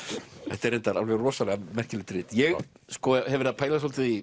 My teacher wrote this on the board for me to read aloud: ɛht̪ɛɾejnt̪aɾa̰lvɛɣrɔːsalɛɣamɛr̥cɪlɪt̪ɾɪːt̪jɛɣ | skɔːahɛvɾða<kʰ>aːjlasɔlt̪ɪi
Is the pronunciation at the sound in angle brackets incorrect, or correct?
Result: incorrect